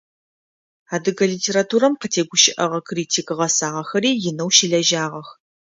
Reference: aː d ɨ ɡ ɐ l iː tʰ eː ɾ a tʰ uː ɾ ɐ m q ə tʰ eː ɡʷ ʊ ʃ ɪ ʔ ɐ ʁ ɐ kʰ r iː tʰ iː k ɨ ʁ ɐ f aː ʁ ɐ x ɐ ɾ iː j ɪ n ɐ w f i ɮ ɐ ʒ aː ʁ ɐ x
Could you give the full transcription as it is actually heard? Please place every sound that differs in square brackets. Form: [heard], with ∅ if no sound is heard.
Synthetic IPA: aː d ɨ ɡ ɐ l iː tʰ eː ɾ a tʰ uː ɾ ɐ m q ə tʰ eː ɡʷ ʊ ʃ ɪ ʔ ɐ ʁ ɐ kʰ r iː tʰ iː k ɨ ʁ ɐ [s] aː ʁ ɐ x ɐ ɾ iː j ɪ n ɐ w [ʃ] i ɮ ɐ ʒ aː ʁ ɐ x